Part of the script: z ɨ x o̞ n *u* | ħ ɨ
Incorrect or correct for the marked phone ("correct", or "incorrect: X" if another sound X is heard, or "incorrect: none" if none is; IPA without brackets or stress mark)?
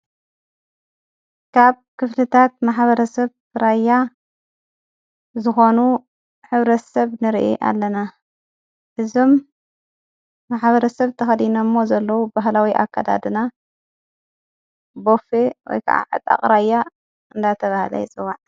correct